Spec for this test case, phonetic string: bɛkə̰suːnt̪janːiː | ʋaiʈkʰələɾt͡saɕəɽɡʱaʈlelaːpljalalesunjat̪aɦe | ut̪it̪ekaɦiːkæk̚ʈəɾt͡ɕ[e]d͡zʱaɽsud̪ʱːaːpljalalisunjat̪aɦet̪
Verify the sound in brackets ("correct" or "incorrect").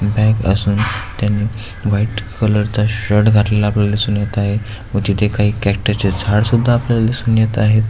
correct